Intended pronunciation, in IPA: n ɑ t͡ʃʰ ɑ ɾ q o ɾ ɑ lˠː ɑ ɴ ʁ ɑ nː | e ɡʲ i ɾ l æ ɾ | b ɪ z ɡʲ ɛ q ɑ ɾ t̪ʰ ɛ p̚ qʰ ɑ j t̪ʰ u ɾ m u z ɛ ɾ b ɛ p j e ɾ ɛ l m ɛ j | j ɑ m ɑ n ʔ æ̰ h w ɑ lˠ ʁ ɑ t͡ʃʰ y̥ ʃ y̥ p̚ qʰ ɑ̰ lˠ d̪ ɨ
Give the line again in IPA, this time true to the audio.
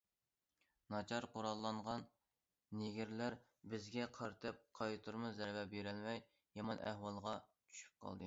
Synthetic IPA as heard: n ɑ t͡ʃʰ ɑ ɾ q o ɾ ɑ lˠː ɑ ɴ ʁ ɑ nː | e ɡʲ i ɾ l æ ɾ | b ɪ z ɡʲ ɛ qʰ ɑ ɾ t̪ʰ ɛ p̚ qʰ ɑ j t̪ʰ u ɾ m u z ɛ ɾ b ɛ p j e ɾ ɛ l m ɛ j | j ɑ m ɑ n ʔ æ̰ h w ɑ lˠ ʁ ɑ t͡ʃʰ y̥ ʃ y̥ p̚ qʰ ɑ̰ lˠ d̪ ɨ